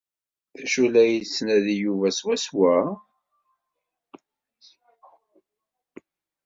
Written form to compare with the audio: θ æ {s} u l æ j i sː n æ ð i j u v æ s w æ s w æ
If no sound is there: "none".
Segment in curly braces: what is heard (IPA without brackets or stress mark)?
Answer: ʃ